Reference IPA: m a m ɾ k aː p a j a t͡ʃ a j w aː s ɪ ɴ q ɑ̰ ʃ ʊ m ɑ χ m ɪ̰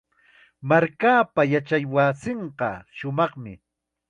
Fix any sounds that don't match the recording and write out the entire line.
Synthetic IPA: m a ɾ k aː p a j a t͡ʃ a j w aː s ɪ ɴ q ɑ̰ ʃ ʊ m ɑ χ m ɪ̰